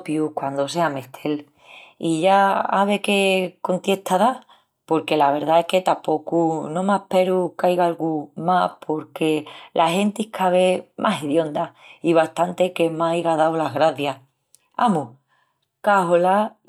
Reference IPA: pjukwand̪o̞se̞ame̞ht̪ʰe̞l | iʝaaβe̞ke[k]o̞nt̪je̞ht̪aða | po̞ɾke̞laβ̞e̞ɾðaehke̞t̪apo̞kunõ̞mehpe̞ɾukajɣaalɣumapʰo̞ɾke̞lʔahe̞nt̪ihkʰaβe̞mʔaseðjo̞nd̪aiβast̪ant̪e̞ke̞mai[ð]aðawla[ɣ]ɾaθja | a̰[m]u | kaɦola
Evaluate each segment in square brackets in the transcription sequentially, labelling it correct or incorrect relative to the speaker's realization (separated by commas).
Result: correct, incorrect, correct, correct